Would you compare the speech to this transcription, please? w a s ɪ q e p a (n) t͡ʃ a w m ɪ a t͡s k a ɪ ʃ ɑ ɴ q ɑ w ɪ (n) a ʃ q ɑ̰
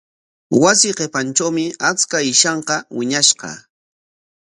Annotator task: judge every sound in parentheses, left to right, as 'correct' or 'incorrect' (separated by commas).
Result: correct, incorrect